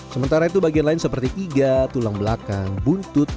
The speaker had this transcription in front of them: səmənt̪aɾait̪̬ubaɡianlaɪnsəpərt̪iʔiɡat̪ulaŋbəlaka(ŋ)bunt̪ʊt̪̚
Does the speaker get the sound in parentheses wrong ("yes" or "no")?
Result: no